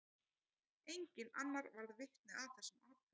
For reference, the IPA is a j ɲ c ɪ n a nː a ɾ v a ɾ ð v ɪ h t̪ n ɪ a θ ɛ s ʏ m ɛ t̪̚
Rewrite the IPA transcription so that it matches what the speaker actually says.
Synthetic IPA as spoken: e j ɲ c ɪ n a nː a ɾ v a ɾ ð v ɪ h t̪ n ɪ a θ ɛ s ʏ m a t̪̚